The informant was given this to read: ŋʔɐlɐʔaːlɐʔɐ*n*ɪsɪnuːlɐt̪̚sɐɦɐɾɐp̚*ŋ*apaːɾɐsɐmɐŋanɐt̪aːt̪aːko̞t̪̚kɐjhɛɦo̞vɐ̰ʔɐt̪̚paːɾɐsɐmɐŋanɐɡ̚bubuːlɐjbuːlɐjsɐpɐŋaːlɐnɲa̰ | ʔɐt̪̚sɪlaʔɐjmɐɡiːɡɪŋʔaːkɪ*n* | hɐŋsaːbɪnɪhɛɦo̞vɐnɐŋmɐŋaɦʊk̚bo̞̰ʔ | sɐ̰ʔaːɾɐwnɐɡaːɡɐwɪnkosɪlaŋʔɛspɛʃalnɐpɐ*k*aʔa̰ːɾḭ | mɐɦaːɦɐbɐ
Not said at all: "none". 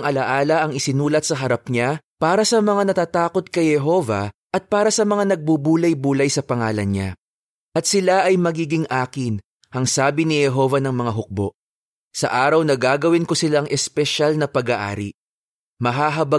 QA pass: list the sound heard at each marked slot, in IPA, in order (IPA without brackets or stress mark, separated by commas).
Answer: ŋ, ɲ, n, ɡ